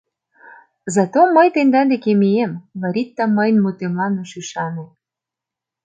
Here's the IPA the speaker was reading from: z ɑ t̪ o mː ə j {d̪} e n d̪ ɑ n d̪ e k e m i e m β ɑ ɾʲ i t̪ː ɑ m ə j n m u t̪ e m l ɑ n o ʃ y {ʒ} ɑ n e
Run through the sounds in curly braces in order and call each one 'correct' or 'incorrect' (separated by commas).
incorrect, incorrect